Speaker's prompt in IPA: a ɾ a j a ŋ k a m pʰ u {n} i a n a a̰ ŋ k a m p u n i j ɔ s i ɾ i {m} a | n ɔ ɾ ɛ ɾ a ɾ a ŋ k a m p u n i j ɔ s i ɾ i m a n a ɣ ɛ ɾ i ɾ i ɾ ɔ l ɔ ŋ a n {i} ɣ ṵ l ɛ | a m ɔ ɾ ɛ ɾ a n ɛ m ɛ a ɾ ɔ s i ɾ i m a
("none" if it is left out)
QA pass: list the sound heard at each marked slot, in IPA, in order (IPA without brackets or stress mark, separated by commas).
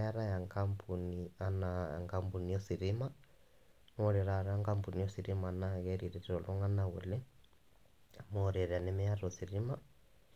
n, m, a